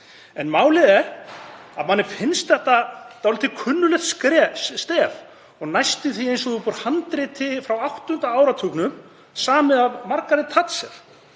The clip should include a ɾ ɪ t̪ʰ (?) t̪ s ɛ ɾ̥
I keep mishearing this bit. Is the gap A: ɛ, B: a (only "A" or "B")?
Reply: B